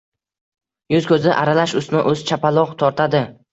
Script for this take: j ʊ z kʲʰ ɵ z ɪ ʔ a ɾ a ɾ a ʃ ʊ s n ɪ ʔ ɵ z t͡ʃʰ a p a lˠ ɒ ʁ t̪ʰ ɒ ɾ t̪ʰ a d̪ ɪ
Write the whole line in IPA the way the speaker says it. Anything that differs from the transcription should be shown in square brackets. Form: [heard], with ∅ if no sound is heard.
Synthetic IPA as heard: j ʊ z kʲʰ ɵ z ɪ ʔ a ɾ a [l] a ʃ ʊ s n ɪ ʔ ɵ z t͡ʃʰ a p a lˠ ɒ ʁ t̪ʰ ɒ ɾ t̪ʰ a d̪ ɪ